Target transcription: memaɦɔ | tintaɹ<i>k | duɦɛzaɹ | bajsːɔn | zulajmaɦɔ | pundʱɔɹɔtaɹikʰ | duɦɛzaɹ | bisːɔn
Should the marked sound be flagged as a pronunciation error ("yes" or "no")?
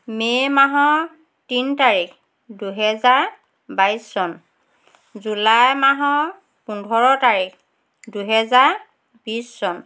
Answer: no